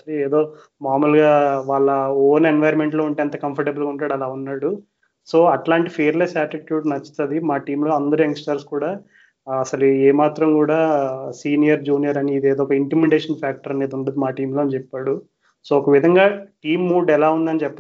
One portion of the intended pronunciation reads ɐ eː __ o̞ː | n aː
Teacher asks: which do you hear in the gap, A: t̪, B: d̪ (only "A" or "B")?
B